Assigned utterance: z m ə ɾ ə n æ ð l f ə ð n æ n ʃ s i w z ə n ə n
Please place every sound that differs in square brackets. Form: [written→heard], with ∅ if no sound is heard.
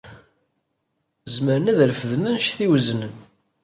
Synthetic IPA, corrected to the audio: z m ə ɾ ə n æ ð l f ə ð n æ n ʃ [s→θ] i w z ə n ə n